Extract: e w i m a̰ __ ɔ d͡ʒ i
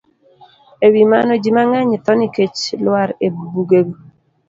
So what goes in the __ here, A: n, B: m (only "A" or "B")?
A